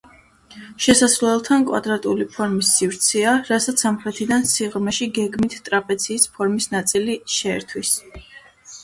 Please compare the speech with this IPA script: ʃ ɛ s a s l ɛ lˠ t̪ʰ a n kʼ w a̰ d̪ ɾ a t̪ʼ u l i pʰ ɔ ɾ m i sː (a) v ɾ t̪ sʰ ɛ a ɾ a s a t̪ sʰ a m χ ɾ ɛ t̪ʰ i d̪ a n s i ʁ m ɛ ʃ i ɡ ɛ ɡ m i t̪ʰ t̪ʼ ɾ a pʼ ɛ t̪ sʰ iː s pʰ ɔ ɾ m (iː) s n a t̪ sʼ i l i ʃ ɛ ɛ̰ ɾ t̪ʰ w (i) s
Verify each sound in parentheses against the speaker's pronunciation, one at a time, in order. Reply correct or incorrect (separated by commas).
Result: incorrect, incorrect, correct